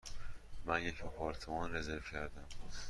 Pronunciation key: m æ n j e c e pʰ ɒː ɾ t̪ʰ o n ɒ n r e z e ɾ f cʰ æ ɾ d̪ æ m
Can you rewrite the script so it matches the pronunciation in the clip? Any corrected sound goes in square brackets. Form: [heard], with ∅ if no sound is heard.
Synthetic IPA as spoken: m æ n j e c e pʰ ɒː ɾ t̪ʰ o [m] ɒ n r e z e ɾ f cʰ æ ɾ d̪ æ m